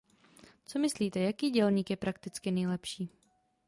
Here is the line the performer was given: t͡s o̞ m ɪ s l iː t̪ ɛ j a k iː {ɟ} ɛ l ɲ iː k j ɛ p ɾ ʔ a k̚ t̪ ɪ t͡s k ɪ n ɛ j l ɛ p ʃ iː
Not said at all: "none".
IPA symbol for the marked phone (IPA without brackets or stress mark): ɟ